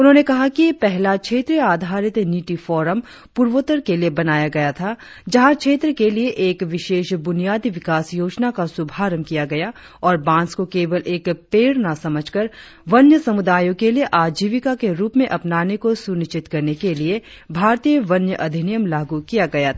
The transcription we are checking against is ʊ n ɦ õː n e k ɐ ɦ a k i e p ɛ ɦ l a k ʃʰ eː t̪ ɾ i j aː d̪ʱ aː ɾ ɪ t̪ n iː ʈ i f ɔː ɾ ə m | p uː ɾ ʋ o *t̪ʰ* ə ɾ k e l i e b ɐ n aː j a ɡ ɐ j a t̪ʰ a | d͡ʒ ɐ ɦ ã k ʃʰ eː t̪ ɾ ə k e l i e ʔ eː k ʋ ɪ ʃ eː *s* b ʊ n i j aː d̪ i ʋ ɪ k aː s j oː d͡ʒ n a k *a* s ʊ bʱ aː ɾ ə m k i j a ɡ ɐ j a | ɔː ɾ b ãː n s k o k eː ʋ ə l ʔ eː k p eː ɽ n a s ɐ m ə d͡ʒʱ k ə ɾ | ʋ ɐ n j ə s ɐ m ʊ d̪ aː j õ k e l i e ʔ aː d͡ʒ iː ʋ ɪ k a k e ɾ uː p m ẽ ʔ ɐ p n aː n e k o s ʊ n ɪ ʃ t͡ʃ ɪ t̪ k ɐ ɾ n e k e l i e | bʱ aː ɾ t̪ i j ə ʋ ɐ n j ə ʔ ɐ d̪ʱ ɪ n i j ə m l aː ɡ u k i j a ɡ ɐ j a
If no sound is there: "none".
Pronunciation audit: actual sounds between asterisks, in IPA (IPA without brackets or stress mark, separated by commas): t̪, ʃ, a